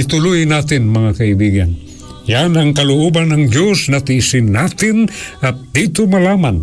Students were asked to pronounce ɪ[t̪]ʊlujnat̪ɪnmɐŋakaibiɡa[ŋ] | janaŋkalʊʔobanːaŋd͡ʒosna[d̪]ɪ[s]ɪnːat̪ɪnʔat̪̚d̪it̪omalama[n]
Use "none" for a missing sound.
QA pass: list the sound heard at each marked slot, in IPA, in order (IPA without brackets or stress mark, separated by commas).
t̪, n, t̪, s, n